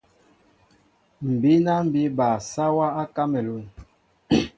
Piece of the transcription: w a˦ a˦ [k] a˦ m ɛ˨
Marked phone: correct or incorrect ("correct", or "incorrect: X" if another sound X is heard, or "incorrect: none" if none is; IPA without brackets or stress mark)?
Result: correct